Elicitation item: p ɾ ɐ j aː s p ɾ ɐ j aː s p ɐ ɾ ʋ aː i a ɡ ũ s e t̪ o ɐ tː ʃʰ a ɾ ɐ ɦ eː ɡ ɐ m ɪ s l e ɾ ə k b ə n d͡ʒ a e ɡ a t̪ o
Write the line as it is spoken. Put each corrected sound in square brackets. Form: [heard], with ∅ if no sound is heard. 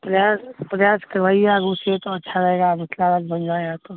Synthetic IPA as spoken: p ɾ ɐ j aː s p ɾ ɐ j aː s [k] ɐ ɾ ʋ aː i a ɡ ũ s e t̪ o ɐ tː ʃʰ a ɾ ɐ ɦ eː ɡ [a] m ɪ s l [a] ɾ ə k b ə n d͡ʒ a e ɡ a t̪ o

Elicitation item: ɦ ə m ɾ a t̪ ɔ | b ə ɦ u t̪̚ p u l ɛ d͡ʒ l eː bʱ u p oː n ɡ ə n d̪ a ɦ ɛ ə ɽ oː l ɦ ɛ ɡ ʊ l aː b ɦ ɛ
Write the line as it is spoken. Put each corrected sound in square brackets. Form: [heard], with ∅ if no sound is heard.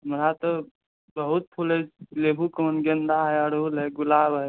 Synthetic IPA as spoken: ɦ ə m ɾ a t̪ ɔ | b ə ɦ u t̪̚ [pʰ] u l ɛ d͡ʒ l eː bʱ u [k] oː n ɡ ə n d̪ a ɦ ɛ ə ɽ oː l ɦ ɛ ɡ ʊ l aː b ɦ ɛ

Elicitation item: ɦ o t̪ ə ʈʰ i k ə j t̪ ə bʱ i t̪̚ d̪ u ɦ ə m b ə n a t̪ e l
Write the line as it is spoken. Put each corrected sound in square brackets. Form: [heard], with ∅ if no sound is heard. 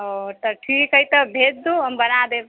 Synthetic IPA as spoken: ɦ o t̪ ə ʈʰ i k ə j t̪ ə bʱ [e] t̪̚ d̪ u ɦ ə m b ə n a [d̪] e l

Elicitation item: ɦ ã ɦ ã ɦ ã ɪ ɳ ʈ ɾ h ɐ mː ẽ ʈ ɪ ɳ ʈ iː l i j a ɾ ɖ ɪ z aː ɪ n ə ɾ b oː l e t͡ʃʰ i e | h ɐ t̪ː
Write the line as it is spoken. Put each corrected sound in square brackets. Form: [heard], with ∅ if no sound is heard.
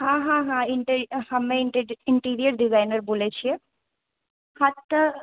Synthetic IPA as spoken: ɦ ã ɦ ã ɦ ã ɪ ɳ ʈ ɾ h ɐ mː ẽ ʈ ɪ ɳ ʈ iː [ɾ] i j [ə] ɾ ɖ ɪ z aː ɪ n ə ɾ b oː l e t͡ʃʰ i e | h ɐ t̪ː

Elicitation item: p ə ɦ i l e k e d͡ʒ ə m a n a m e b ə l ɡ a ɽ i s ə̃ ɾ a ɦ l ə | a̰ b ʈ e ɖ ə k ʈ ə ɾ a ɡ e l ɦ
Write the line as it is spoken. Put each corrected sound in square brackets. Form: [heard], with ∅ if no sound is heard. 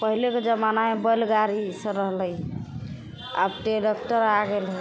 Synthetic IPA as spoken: p ə ɦ i l e k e d͡ʒ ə m a n a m e b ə l ɡ a [ɾ] i s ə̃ ɾ [ə] ɦ l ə | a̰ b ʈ e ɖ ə k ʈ ə ɾ a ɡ e l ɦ

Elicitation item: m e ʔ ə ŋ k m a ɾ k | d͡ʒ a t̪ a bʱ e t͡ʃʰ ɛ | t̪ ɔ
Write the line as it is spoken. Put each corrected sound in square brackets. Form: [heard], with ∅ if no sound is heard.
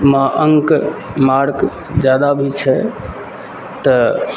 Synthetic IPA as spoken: m [a] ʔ ə ŋ k m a ɾ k | d͡ʒ a [d̪] a bʱ [i] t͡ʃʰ ɛ | t̪ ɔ

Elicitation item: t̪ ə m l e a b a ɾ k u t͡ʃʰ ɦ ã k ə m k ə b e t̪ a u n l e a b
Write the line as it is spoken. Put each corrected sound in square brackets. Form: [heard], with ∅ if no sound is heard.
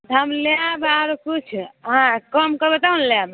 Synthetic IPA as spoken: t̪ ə m l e a b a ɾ k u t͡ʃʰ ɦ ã k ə m k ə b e t̪ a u n l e a b

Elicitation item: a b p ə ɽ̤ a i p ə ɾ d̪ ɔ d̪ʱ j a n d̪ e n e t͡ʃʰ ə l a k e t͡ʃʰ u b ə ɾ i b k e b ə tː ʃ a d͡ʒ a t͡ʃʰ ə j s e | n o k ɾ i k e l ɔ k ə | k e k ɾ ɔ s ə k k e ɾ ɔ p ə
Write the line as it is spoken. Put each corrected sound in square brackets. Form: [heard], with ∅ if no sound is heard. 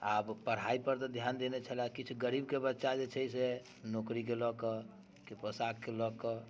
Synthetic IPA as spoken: a b p ə ɽ̤ a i p ə ɾ [t̪] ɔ d̪ʱ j a n d̪ e n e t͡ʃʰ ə l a k [i] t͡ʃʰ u [ɡ] ə ɾ i b k e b ə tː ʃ a d͡ʒ [e] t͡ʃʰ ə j s e | n o k ɾ i k e l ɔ k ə | k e [p] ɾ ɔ s [a] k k e [l] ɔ [k] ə

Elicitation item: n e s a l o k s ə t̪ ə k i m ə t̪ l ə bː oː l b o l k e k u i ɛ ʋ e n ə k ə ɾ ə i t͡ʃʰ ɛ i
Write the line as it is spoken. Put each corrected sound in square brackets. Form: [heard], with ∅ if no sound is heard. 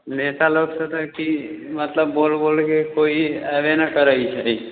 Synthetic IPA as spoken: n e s a l o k s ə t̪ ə k i m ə t̪ l ə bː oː l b o l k e k [o] i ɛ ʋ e n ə k ə ɾ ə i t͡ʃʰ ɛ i

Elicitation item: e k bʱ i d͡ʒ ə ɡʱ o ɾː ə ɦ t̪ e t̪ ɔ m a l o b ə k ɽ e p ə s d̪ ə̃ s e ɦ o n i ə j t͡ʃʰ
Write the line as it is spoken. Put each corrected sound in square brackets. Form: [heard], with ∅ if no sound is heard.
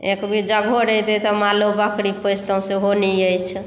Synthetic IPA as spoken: e k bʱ i d͡ʒ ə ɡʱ o [ɾ] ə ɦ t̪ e t̪ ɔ m a l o b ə k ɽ [i] p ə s [t̪] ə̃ s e ɦ o n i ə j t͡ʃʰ

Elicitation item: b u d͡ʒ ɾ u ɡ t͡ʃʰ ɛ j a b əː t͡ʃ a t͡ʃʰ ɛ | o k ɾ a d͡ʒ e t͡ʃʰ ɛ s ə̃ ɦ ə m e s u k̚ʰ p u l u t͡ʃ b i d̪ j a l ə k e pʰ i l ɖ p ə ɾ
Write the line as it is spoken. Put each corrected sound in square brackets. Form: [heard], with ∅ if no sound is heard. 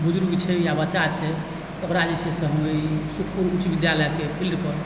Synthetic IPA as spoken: b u d͡ʒ ɾ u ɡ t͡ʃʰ ɛ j a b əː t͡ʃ a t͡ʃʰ ɛ | o k ɾ a d͡ʒ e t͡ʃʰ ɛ s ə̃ ɦ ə m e s u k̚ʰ p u [ɾ] u t͡ʃ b i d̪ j a l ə k e pʰ i l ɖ p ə ɾ

